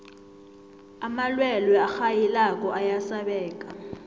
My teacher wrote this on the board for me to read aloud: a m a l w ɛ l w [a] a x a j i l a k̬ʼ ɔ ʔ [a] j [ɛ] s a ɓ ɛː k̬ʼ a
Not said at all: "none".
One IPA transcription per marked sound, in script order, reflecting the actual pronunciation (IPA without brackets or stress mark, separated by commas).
ɛ, a, a